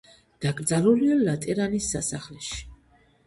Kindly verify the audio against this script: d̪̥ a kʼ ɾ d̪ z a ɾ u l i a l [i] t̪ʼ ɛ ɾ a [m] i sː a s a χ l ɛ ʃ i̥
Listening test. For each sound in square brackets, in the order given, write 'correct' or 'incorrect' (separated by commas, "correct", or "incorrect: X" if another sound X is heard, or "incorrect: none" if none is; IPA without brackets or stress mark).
incorrect: a, incorrect: n